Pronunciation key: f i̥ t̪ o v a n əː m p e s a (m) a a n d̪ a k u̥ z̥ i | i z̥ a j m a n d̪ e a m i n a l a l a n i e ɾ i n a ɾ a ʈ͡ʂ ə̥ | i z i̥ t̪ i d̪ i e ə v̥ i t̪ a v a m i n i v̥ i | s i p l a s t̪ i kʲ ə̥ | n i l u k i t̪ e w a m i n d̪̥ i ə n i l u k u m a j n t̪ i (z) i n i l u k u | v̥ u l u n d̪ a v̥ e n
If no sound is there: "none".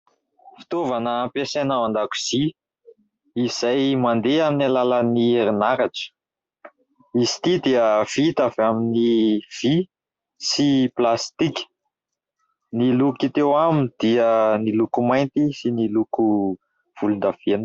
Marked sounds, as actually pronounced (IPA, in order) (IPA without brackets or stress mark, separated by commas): n, s